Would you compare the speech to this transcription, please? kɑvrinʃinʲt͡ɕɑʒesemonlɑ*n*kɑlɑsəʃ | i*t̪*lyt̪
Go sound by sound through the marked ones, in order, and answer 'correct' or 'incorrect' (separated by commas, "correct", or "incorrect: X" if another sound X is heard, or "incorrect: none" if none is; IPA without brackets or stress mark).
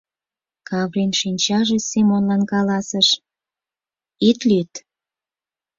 correct, correct